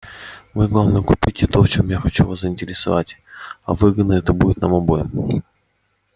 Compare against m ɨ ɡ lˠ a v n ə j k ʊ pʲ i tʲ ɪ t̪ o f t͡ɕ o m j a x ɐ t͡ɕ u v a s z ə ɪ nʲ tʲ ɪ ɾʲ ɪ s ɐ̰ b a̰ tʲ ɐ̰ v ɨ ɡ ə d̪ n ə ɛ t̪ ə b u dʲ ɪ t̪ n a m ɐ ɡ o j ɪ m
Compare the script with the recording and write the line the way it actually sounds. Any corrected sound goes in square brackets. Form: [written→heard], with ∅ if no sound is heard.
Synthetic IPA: m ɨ ɡ lˠ a v n ə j k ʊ pʲ i tʲ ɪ t̪ o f t͡ɕ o m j a x ɐ t͡ɕ u v a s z ə ɪ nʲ tʲ ɪ ɾʲ ɪ s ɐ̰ [b→v] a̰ tʲ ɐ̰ v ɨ ɡ ə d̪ n ə ɛ t̪ ə b u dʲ ɪ t̪ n a m ɐ [ɡ→b] o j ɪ m